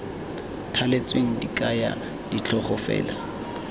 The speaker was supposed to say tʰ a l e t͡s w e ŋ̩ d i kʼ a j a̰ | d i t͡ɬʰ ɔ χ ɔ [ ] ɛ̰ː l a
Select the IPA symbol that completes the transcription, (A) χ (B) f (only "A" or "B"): B